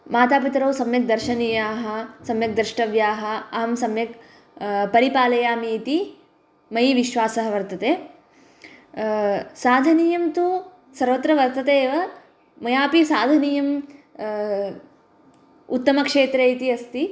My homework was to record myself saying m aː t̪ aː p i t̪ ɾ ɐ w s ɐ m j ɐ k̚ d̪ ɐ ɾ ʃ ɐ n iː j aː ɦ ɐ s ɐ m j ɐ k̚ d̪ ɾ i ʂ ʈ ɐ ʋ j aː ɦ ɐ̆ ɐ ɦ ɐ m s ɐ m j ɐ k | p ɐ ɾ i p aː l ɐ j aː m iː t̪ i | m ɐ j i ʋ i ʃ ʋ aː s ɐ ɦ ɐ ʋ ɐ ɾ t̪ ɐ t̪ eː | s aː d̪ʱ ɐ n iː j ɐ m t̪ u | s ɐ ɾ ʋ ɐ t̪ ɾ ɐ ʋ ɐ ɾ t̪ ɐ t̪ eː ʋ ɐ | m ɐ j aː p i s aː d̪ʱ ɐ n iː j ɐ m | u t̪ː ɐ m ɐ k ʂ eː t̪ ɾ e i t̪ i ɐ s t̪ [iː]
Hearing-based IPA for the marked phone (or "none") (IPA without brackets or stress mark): i